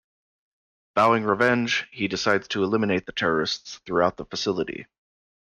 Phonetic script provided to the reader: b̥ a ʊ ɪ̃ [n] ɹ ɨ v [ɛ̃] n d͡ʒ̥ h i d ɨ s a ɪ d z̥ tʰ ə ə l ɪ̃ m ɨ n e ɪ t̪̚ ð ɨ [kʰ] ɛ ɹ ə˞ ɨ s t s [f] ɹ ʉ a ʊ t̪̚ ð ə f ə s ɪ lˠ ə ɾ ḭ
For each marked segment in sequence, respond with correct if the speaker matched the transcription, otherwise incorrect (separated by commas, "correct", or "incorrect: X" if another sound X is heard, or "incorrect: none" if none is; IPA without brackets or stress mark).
incorrect: ŋ, correct, incorrect: tʰ, incorrect: θ